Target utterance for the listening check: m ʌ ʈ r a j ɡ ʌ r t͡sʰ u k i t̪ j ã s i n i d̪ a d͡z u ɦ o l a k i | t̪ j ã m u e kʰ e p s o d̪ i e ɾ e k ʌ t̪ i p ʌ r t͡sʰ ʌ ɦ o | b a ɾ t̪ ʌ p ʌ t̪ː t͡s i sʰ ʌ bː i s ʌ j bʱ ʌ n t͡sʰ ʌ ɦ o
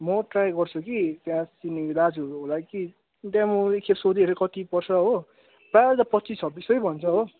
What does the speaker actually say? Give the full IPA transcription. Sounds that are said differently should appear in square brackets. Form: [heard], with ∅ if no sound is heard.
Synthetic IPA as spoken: m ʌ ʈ r a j ɡ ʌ r t͡sʰ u k i t̪ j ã s i n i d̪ a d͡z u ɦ o l a k i | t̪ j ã m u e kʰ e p s o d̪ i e ɾ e k ʌ t̪ i p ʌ r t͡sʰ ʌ ɦ o | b a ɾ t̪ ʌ p ʌ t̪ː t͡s i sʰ ʌ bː i s ʌ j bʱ ʌ n t͡sʰ ʌ ɦ o